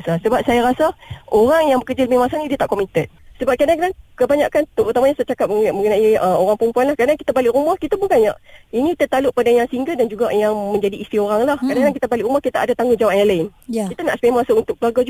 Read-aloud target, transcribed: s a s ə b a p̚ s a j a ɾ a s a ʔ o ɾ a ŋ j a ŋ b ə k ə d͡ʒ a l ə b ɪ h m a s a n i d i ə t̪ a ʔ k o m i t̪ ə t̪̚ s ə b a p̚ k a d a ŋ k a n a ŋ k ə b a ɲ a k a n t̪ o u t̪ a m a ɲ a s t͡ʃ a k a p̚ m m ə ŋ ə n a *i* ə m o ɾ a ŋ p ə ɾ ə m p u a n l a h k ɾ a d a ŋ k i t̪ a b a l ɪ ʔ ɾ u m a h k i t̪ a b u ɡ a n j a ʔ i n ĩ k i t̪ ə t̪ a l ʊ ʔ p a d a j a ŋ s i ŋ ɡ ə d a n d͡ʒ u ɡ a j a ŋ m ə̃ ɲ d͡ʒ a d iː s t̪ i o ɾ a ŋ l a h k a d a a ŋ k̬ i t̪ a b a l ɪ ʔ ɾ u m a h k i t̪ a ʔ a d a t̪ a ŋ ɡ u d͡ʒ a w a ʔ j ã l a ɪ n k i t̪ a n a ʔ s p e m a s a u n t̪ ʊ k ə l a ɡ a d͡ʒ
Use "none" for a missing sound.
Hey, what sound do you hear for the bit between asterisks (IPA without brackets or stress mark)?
i